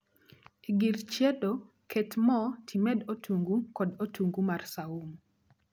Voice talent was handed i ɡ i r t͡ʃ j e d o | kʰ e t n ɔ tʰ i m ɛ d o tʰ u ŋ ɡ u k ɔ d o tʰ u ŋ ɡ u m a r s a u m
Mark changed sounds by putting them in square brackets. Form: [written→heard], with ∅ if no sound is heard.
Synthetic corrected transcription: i ɡ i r t͡ʃ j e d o | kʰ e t [n→m] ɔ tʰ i m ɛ d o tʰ u ŋ ɡ u k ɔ d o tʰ u ŋ ɡ u m a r s a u m